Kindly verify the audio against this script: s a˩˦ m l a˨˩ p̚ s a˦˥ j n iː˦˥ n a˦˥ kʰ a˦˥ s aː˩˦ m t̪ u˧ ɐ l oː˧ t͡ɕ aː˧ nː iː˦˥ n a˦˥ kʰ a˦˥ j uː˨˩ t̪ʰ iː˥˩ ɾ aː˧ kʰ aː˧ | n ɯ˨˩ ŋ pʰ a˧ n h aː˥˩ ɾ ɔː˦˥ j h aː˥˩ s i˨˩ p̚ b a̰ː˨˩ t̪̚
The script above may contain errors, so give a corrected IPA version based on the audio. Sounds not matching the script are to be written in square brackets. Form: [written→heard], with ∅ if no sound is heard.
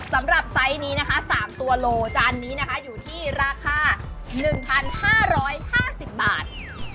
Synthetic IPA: s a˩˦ m [l→ɾ] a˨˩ p̚ s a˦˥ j n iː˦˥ n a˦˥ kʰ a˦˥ s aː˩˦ m t̪ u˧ ɐ l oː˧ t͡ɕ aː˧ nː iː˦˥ n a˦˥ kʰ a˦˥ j uː˨˩ t̪ʰ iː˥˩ ɾ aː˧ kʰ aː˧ | n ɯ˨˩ ŋ pʰ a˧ n h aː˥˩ ɾ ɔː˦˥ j h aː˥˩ s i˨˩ p̚ b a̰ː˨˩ t̪̚